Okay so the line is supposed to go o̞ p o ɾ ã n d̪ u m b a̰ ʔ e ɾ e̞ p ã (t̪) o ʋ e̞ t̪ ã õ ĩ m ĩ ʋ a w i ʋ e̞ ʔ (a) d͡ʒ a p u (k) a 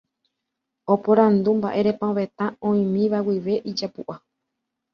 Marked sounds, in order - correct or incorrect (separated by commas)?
incorrect, incorrect, incorrect